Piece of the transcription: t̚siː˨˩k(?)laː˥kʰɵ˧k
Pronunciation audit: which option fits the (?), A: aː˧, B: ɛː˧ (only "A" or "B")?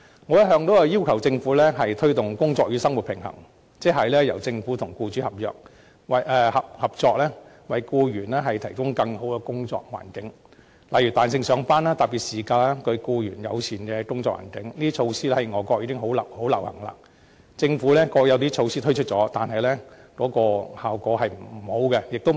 A